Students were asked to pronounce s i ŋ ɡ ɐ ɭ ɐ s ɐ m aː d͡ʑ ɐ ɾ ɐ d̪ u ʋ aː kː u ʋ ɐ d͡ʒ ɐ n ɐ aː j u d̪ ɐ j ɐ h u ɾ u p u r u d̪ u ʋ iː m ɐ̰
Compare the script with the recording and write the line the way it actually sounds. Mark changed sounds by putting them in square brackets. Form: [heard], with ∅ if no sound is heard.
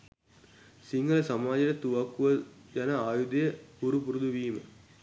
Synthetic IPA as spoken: s i ŋ ɡ ɐ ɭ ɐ s ɐ m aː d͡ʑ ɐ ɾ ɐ [t̪] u ʋ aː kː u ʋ ɐ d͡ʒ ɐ n ɐ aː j u d̪ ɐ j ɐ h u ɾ u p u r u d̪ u ʋ iː m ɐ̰

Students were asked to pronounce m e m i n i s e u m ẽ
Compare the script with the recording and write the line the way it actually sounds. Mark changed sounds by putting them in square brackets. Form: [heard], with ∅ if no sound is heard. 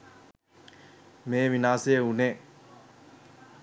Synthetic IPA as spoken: m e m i n [a] s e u [n] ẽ

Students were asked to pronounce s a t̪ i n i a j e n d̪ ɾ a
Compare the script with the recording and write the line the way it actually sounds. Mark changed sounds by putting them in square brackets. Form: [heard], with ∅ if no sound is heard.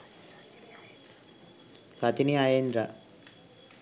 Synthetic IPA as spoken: s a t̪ i n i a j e n d̪ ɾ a

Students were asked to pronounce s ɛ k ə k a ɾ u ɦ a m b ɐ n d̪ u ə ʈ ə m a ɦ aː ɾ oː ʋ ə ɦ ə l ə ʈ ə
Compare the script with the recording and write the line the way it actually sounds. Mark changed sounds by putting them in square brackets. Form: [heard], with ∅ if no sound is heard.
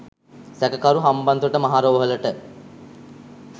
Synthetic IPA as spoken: s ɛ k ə k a ɾ u ɦ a m b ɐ n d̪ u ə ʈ ə m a ɦ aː ɾ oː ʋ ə ɦ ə l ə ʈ ə

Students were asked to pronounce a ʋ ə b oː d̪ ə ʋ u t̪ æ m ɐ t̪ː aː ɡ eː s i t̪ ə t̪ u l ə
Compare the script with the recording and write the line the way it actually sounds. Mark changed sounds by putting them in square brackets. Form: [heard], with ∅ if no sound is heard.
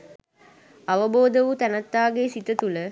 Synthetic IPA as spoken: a ʋ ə b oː d̪ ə ʋ u t̪ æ [n] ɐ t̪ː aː ɡ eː s i t̪ ə t̪ u l ə

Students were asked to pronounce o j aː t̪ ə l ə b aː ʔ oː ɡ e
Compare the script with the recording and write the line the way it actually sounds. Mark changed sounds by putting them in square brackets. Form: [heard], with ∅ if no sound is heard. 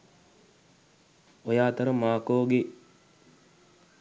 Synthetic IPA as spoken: o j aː t̪ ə [ɾ] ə [m] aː [k] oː ɡ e

